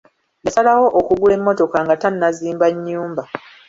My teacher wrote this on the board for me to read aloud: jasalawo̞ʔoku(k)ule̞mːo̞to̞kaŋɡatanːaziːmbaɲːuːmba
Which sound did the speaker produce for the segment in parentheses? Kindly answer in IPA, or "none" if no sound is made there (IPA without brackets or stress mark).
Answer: ɡ